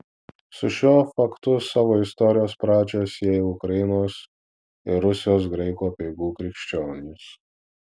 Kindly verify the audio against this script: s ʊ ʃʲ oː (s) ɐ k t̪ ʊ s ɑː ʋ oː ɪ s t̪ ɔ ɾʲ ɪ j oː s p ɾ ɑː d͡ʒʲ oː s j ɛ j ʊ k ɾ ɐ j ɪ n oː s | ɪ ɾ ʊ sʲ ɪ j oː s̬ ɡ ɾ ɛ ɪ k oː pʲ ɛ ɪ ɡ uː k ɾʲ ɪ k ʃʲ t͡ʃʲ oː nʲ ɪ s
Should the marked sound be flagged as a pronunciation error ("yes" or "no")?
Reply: yes